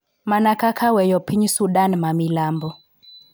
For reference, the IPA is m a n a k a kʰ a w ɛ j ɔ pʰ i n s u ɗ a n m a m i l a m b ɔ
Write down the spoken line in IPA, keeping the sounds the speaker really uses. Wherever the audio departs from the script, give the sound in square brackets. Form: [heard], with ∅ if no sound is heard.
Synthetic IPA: m a n a k a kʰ a w ɛ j ɔ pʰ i [ɲ] s u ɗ a n m a m i l a m b ɔ